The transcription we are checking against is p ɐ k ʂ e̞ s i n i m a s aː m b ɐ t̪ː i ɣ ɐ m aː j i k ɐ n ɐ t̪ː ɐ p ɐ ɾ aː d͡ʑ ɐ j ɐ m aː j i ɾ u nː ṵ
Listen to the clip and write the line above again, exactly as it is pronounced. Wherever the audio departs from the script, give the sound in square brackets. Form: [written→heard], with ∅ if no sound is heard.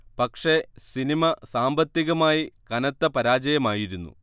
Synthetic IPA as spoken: p ɐ k ʂ e̞ s i n i m [a→ɐ] s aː m b ɐ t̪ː i ɣ ɐ m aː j i k ɐ n ɐ t̪ː ɐ p ɐ ɾ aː d͡ʑ ɐ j ɐ m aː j i ɾ u nː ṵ